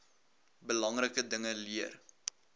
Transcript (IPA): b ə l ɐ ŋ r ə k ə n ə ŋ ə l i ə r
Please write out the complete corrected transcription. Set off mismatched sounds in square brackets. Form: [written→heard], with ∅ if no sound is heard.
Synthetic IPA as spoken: b ə l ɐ ŋ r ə k ə [n→d] ə ŋ ə l i ə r